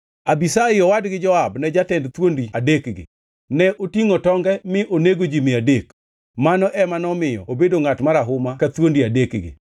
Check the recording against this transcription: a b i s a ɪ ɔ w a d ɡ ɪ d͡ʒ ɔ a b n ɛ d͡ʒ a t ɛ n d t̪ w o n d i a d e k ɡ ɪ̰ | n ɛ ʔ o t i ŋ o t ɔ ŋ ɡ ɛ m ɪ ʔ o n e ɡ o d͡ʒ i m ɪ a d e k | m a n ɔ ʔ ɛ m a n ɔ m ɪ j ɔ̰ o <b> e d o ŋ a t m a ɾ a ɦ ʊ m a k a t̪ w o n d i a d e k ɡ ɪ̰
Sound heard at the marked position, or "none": b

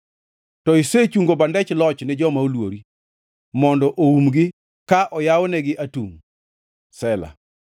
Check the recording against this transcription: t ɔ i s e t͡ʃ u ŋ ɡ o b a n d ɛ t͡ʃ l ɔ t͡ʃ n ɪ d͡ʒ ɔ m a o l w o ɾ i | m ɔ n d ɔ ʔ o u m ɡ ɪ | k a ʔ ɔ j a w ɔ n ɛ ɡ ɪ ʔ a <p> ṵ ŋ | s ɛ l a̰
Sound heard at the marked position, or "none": t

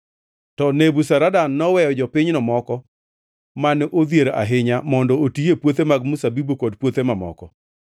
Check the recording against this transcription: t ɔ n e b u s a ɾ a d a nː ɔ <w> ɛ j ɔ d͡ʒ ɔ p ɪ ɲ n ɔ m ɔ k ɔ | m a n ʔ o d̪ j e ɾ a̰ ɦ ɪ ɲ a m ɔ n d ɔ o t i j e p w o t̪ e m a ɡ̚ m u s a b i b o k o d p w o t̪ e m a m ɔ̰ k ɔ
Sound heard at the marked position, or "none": w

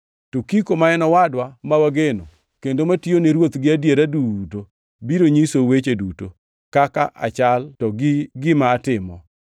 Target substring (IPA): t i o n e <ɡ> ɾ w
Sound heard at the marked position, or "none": none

